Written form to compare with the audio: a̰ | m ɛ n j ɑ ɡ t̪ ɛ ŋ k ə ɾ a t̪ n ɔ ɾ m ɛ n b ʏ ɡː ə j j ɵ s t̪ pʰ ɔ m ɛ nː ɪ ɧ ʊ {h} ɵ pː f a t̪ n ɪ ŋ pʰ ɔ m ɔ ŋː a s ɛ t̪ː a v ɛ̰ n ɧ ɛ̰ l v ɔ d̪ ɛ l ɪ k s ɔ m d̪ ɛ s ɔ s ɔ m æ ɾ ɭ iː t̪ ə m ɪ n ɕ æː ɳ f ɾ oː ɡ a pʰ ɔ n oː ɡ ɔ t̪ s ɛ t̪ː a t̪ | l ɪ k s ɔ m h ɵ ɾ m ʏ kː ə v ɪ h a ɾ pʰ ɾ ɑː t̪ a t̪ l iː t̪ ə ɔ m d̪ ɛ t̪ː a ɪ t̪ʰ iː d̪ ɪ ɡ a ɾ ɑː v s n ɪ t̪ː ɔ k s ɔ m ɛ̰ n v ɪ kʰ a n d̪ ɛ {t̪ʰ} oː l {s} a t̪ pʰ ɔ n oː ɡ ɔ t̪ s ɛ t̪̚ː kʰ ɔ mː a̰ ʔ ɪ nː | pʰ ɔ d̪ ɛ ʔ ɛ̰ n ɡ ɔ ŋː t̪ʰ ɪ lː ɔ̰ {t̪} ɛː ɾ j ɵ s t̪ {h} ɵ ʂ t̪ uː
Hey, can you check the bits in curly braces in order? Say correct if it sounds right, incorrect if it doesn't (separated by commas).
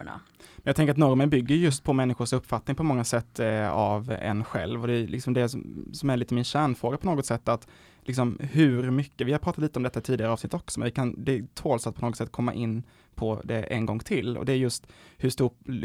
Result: incorrect, correct, correct, incorrect, correct